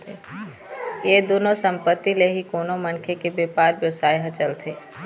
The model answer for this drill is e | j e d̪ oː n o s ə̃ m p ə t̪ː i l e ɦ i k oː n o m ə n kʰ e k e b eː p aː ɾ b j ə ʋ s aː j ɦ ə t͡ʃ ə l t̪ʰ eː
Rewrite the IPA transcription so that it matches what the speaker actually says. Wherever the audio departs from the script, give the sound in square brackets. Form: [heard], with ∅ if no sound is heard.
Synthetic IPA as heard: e | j e d̪ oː n o s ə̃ m p ə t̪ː i l e ɦ i k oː n o m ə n kʰ e k e b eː p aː ɾ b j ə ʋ s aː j ɦ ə t͡ʃ ə l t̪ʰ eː